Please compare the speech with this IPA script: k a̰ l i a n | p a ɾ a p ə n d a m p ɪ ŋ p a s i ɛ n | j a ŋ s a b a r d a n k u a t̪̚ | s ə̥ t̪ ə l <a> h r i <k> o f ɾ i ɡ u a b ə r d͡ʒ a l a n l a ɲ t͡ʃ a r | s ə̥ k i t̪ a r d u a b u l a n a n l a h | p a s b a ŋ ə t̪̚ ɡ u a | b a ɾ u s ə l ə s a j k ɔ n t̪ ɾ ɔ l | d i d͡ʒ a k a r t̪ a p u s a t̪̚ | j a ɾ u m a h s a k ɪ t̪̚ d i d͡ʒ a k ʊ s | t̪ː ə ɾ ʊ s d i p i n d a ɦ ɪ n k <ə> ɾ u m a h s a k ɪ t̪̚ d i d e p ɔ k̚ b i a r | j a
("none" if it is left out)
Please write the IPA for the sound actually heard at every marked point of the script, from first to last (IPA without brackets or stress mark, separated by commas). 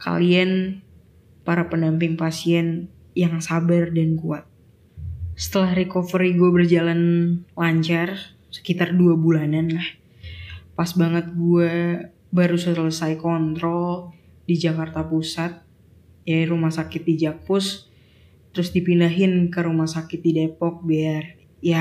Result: a, k, ə